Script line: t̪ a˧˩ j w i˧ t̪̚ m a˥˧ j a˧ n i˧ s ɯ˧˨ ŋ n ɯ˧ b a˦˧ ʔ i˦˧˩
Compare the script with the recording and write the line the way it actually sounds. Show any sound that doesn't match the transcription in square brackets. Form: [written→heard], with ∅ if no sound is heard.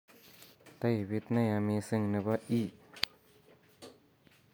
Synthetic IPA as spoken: t̪ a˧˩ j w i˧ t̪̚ [m→n] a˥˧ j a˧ [n→m] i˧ s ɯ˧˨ ŋ n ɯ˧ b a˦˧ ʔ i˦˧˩